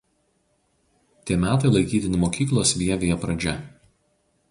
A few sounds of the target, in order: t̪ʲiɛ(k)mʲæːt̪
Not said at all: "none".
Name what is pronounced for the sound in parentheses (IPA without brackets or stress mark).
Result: none